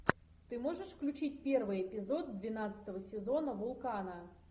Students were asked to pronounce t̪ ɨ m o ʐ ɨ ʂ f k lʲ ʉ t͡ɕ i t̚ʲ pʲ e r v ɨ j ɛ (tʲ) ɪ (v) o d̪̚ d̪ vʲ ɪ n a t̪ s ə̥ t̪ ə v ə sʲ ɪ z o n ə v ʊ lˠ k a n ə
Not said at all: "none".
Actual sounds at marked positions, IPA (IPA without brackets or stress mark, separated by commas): pʲ, z